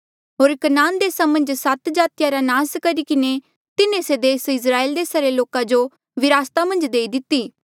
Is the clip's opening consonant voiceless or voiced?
voiced